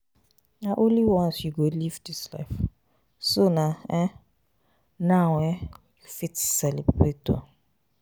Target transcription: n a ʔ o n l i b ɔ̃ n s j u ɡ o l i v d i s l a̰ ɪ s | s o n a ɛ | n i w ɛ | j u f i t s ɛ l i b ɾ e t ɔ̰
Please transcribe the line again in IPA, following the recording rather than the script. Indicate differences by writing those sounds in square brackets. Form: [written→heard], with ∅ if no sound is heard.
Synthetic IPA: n a ʔ o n l i [b→w] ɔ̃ n s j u ɡ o l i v d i s l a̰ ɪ [s→f] | s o n a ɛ | n [i→a] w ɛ | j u f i t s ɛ l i b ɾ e t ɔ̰